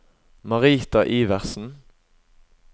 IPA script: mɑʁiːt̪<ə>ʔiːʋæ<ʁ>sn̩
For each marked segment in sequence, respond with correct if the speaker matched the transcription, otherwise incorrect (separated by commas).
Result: incorrect, correct